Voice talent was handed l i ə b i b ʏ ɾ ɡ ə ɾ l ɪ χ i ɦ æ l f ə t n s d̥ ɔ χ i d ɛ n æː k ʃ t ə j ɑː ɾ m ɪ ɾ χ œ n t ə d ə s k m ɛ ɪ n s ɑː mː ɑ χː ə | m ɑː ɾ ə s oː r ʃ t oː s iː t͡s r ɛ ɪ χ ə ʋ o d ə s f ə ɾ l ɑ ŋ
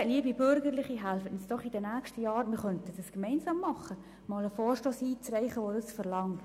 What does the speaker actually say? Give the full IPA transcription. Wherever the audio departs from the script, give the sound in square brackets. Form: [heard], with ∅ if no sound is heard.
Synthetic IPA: l i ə b i b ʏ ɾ ɡ ə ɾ l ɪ χ i ɦ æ l f ə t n s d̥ ɔ χ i d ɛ n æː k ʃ t ə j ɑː ɾ m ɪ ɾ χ œ n t ə d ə s k m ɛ ɪ n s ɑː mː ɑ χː ə | m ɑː [l] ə [f] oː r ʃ t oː s iː t͡s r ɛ ɪ χ ə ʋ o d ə s f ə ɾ l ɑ ŋ